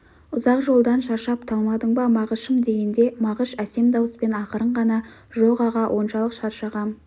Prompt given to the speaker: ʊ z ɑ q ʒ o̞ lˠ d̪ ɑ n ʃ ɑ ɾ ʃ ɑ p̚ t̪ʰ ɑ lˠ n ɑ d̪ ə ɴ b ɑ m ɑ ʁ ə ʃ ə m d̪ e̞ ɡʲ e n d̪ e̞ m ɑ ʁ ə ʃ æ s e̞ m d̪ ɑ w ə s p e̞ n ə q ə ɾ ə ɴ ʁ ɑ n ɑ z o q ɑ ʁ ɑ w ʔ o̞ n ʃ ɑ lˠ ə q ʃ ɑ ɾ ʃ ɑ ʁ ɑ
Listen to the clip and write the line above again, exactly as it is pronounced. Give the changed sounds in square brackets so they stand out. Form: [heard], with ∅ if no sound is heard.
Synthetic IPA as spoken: ʊ z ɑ q ʒ o̞ lˠ d̪ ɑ n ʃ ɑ ɾ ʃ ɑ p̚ t̪ʰ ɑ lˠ [m] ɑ d̪ ə ɴ b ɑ m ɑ ʁ ə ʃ ə m d̪ e̞ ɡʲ e n d̪ e̞ m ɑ ʁ ə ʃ æ s e̞ m d̪ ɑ w ə s p e̞ n [ɑ] q ə ɾ ə ɴ ʁ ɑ n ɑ [ʒ] o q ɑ ʁ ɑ w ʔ o̞ n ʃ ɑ lˠ ə q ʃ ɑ ɾ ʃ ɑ ʁ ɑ